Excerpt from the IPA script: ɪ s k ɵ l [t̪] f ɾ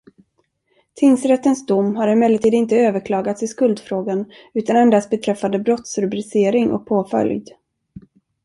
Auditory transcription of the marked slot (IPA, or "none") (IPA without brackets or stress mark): d̪